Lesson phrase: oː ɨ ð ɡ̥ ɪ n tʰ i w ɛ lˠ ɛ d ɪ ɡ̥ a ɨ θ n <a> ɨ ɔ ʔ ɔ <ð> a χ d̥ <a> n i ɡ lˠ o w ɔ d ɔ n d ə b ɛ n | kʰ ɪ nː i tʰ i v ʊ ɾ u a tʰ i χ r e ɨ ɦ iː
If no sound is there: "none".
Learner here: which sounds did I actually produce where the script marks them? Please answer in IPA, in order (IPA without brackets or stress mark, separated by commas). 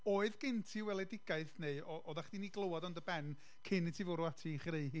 e, ð, i